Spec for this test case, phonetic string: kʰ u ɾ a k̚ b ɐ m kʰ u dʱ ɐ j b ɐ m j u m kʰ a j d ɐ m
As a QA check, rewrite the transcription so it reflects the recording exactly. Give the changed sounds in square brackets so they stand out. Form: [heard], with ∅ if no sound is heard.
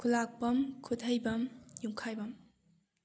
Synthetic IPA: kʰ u [l] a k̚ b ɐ m kʰ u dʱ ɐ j b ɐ m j u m kʰ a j [b] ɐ m